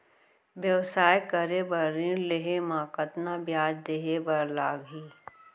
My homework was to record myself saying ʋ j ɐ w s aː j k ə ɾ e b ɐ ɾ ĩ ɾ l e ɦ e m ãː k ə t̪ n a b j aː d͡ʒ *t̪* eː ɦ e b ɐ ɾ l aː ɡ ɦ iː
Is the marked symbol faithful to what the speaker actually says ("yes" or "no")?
no